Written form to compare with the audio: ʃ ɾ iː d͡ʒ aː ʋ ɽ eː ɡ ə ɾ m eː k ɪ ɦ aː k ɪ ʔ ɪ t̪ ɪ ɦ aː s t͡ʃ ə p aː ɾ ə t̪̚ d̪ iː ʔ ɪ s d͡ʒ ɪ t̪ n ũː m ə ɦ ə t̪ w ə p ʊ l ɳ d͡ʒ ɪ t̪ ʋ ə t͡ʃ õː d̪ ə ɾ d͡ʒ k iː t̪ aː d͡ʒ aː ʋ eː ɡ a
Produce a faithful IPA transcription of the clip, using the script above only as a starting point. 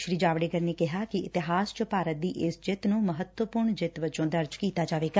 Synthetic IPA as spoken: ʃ ɾ iː d͡ʒ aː ʋ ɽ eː ɡ ə ɾ n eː k ɪ ɦ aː k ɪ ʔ ɪ t̪ ɪ ɦ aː s t͡ʃ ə p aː ɾ ə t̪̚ d̪ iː ʔ ɪ s d͡ʒ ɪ t̪ n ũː m ə ɦ ə t̪ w ə p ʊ ɾ ɳ d͡ʒ ɪ t̪ ʋ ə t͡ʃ õː d̪ ə ɾ d͡ʒ k iː t̪ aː d͡ʒ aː ʋ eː ɡ a